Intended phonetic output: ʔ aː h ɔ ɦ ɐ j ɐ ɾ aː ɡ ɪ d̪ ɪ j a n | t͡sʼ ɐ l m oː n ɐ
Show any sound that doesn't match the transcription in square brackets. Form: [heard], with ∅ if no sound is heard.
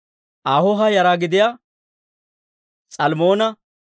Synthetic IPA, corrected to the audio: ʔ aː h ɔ ɦ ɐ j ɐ ɾ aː ɡ ɪ d̪ ɪ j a [∅] | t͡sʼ ɐ l m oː n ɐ